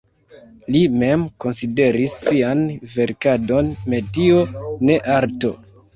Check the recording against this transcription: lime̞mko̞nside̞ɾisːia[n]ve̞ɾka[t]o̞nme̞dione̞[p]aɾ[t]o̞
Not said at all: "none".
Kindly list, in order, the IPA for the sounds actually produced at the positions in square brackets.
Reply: n, d, ʔ, t

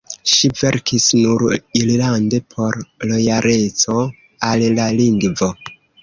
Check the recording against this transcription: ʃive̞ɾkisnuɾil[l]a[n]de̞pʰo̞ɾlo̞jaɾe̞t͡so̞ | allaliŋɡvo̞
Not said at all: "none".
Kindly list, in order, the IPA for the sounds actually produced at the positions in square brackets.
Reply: l, n

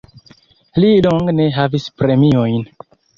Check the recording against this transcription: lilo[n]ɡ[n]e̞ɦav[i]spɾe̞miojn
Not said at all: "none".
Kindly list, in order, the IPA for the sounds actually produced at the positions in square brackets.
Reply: ŋ, n, i

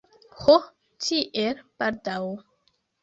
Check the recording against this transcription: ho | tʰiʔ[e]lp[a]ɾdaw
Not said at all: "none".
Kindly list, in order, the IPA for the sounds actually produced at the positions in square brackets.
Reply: e, a

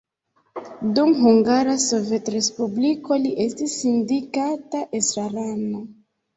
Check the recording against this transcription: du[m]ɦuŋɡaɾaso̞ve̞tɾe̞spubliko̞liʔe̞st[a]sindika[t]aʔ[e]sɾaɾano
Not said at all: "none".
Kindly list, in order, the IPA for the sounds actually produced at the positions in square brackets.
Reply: m, i, t, e

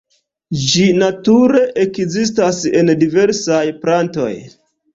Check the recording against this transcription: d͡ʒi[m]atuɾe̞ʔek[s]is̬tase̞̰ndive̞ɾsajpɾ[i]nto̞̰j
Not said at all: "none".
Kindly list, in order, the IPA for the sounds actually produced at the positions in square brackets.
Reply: n, z, a

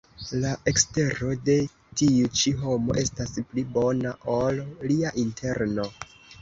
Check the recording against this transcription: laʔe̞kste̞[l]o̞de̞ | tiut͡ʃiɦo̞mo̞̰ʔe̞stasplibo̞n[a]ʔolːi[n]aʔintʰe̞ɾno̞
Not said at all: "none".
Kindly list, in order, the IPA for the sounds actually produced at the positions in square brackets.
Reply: ɾ, a, none

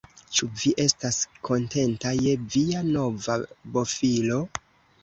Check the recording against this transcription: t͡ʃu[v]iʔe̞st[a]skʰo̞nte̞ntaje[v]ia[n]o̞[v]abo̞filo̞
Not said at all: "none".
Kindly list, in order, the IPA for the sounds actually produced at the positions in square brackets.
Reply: v, a, v, n, v

